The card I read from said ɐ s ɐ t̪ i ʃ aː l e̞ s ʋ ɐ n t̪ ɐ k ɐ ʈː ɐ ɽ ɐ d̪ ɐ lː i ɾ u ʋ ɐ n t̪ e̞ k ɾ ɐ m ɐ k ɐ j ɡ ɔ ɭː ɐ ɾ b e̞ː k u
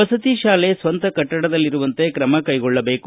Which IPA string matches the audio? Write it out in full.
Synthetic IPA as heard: ɐ s ɐ t̪ i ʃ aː l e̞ s ʋ ɐ n t̪ ɐ k ɐ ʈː ɐ ɽ ɐ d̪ ɐ lː i ɾ u ʋ ɐ n t̪ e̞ k ɾ ɐ m ɐ k ɐ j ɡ ɔ ɭː ɐ b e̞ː k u